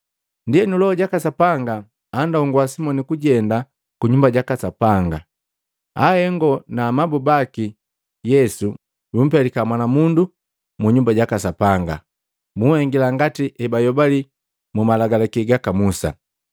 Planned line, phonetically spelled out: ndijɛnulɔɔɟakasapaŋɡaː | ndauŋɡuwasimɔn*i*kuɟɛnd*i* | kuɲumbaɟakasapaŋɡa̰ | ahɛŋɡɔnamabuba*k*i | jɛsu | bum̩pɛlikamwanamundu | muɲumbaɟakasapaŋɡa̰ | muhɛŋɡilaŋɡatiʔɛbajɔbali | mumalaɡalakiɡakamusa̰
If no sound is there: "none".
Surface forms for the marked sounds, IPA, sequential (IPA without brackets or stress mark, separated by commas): i, a, k